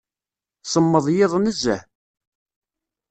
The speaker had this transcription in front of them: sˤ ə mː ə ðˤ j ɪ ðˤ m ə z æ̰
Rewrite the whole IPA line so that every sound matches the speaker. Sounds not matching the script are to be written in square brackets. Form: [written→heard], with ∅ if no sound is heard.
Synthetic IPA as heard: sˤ ə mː ə ðˤ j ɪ ðˤ [m→n] ə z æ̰